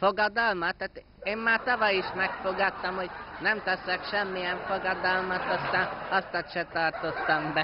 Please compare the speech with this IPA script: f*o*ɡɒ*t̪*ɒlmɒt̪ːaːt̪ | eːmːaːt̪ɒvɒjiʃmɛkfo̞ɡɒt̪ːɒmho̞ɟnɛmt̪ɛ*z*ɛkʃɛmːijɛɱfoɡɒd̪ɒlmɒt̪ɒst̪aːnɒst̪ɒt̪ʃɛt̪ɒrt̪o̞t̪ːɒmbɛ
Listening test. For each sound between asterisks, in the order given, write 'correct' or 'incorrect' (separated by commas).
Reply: correct, incorrect, incorrect